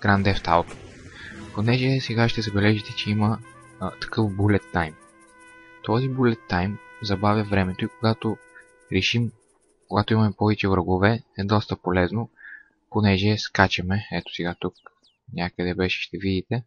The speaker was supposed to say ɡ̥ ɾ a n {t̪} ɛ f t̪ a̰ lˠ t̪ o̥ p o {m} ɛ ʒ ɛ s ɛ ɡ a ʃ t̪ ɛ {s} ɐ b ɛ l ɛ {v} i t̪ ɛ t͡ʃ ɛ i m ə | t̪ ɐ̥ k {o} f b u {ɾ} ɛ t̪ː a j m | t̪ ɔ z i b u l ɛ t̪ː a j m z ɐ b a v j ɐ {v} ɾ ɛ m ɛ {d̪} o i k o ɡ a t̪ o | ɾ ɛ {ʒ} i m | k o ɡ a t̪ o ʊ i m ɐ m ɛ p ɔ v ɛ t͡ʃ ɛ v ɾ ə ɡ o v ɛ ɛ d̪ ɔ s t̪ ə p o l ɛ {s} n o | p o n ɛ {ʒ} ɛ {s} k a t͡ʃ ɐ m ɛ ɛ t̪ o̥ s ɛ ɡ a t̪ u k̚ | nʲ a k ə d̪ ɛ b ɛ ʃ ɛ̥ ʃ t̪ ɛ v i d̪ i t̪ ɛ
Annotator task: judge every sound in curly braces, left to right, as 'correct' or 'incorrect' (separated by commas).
incorrect, incorrect, incorrect, incorrect, incorrect, incorrect, correct, incorrect, incorrect, incorrect, correct, correct